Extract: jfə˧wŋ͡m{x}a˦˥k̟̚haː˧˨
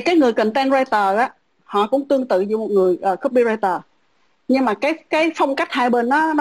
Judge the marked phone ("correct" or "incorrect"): incorrect